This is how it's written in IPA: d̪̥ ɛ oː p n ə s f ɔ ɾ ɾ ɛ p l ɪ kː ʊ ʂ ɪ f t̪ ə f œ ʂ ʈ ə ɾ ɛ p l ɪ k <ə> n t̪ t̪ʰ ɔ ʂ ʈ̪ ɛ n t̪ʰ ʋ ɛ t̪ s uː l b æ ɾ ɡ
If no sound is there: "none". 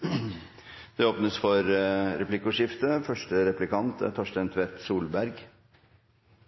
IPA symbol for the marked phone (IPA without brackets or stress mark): ɑ